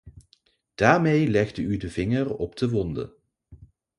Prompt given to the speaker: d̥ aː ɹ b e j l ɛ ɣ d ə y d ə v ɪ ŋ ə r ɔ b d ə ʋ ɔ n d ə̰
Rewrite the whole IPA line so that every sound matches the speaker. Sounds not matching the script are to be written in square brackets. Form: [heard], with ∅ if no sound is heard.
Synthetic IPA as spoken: d̥ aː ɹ [m] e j l ɛ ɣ d ə y d ə v ɪ ŋ ə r ɔ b d ə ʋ ɔ n d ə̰